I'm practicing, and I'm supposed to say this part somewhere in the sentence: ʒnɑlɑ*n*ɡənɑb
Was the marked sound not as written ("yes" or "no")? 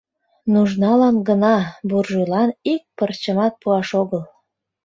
no